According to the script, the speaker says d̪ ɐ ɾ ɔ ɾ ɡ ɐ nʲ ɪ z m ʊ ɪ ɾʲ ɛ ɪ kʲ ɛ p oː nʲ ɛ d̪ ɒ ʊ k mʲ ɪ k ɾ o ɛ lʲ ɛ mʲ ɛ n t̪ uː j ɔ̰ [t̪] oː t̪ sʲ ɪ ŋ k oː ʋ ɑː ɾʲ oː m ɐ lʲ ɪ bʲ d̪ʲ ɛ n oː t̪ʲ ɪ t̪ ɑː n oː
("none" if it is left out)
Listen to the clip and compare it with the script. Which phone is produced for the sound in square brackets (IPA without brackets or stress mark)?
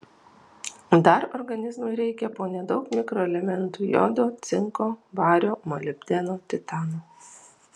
d̪